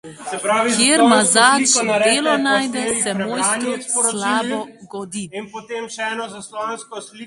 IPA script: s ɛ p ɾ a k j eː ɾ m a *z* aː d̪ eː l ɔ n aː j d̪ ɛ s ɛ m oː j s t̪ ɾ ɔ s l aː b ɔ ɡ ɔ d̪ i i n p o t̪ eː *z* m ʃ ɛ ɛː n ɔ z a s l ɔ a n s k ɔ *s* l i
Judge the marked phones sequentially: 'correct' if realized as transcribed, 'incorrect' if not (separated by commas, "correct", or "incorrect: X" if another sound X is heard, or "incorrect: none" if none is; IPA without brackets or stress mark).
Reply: correct, incorrect: none, correct